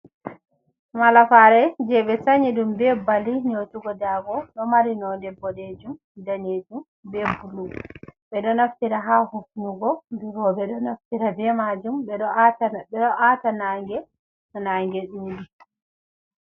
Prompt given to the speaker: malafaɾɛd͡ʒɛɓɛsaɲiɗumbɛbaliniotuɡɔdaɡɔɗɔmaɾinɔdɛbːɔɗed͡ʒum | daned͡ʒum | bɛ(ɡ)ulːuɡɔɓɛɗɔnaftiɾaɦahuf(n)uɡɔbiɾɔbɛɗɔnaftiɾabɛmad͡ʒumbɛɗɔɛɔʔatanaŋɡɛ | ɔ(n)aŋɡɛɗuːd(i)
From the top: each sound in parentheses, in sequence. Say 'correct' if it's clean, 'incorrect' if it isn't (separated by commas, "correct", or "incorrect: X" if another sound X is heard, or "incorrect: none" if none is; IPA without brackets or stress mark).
incorrect: b, correct, correct, correct